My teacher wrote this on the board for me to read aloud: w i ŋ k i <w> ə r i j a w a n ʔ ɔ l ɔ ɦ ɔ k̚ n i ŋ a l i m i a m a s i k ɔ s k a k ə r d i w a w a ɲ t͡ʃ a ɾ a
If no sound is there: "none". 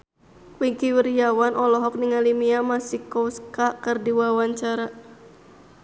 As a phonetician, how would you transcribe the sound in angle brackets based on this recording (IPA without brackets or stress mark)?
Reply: w